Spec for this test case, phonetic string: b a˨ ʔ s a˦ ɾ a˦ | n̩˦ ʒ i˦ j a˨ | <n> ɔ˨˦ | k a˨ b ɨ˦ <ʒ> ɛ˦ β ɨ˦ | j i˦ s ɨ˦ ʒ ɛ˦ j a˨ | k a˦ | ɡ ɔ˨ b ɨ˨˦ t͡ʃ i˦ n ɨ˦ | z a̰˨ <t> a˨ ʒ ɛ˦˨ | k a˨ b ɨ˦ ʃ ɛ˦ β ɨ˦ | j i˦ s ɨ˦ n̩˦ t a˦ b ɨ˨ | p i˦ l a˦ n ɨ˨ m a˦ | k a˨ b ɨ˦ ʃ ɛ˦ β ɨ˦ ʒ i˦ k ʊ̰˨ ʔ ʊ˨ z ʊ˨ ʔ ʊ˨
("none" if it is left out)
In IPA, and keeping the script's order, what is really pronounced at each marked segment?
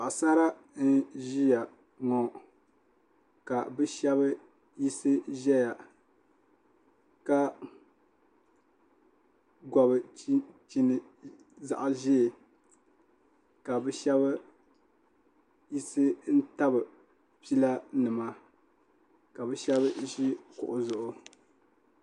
ŋ, ʃ, ʔ

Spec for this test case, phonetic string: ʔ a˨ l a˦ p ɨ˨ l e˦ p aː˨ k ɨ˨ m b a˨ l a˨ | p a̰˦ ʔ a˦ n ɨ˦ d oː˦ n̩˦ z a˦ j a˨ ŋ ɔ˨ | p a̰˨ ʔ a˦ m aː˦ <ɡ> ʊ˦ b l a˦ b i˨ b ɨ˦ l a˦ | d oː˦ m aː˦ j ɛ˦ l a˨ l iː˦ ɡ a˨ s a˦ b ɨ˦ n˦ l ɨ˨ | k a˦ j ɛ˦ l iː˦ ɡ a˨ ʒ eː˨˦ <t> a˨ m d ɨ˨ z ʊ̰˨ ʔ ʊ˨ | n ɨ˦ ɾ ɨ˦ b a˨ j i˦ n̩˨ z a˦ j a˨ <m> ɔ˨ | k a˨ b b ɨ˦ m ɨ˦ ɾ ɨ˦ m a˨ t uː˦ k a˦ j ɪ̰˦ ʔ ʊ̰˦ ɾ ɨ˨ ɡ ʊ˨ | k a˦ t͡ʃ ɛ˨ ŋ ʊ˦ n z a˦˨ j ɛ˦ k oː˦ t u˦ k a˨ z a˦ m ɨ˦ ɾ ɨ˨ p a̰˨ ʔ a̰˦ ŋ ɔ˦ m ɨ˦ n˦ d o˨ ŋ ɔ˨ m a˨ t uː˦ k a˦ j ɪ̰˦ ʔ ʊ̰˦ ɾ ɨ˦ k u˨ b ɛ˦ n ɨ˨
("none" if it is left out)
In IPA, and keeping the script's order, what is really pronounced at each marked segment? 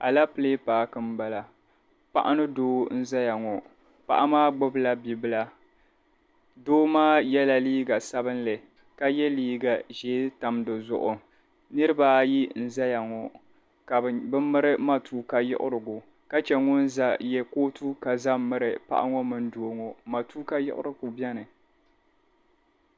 ɡ͡b, t, ŋ

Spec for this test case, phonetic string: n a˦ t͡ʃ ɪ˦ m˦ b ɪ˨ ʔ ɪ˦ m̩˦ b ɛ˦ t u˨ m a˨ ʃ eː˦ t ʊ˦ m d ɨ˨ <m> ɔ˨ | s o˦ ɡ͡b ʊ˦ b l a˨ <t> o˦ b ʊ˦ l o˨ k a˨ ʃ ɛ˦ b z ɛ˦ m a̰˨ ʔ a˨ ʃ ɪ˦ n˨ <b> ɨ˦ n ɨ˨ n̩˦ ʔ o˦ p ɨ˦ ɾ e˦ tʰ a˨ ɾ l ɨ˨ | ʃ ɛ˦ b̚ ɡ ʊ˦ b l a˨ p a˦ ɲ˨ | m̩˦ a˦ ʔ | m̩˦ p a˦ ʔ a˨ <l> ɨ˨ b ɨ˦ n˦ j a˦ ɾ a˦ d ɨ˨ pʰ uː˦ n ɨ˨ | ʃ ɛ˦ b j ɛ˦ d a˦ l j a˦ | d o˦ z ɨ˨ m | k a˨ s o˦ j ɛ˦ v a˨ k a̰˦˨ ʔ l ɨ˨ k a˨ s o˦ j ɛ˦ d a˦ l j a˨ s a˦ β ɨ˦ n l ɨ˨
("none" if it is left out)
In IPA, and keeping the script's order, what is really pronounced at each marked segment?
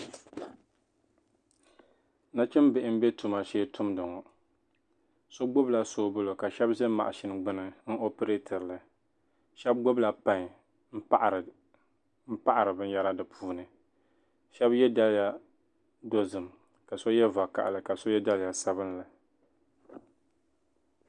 ŋ, s, ɡ͡b, ɾ

